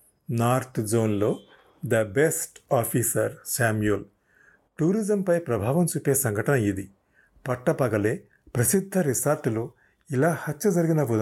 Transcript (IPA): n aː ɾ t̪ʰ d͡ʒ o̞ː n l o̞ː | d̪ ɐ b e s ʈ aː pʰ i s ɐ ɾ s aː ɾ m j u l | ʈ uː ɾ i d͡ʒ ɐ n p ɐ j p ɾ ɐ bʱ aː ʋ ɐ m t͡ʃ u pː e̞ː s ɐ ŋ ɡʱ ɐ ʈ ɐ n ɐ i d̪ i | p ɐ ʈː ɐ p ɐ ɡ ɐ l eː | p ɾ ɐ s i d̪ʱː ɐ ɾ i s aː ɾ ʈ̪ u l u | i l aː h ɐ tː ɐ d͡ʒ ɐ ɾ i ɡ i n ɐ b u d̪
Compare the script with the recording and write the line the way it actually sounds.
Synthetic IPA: n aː ɾ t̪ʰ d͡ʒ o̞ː n l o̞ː | d̪ ɐ b e s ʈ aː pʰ i s ɐ ɾ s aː m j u l | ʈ uː ɾ i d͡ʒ ɐ m p ɐ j p ɾ ɐ bʱ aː ʋ ɐ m t͡ʃ u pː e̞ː s ɐ ŋ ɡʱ ɐ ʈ ɐ n ɐ i d̪ i | p ɐ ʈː ɐ p ɐ ɡ ɐ l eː | p ɾ ɐ s i d̪ʱː ɐ ɾ i s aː ɾ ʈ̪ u l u | i l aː h ɐ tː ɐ d͡ʒ ɐ ɾ i ɡ i n ɐ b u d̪